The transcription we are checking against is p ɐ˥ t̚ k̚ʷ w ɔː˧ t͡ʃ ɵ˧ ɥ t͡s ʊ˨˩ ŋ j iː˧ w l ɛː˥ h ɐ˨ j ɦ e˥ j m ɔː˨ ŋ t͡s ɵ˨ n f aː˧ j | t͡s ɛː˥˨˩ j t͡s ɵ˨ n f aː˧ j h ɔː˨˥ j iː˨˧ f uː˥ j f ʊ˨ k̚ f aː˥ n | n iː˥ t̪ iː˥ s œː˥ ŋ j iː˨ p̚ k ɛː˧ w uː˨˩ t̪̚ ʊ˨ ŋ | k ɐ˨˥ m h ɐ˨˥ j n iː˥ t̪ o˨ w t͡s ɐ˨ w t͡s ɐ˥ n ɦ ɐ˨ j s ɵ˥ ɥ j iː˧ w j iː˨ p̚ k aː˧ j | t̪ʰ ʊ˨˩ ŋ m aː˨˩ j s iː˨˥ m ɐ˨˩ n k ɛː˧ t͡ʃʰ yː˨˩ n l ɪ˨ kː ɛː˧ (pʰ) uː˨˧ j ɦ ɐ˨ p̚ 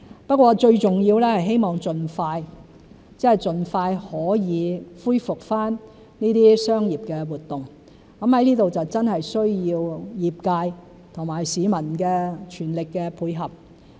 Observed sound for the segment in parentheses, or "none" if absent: pʰ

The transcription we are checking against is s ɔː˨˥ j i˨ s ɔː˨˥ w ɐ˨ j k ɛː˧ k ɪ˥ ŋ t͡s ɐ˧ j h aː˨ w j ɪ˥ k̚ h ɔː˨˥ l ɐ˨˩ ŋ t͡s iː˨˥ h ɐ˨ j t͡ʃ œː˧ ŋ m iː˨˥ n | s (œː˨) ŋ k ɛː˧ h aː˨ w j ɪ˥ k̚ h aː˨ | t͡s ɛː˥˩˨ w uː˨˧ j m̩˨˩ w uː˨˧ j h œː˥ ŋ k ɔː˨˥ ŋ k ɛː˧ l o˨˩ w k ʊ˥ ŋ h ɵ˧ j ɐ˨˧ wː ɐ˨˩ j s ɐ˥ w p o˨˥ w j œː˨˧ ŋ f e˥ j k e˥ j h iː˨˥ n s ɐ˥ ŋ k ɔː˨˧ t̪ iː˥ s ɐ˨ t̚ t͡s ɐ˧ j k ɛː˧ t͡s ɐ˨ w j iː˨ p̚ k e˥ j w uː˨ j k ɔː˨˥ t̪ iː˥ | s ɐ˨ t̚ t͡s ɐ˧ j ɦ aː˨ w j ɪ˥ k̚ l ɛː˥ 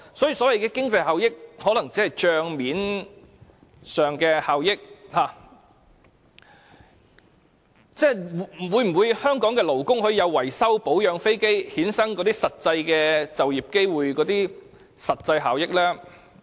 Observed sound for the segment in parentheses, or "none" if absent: œː˨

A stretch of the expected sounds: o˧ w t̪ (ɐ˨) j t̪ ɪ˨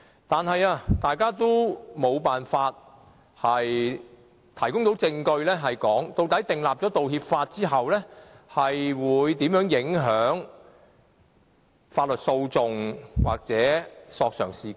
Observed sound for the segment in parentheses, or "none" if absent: ɐ˨˥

